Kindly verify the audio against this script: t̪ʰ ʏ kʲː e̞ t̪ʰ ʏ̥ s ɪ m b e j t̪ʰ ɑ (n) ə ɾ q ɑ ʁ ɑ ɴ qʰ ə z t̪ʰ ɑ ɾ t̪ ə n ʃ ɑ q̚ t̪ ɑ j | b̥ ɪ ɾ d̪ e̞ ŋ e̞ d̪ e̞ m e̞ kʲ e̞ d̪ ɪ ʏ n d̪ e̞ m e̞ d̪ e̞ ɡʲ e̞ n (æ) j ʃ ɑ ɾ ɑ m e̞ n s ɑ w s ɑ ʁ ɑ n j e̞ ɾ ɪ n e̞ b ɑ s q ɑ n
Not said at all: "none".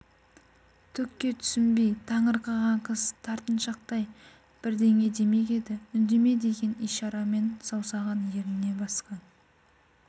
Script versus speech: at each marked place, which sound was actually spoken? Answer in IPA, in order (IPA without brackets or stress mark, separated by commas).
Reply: ɴ, i